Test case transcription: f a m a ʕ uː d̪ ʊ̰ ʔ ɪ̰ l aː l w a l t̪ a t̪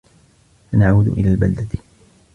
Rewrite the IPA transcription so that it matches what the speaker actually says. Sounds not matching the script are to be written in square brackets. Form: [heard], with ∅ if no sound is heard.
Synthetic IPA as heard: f a [n] a ʕ uː d̪ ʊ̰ ʔ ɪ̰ l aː l [b] a l [d̪] a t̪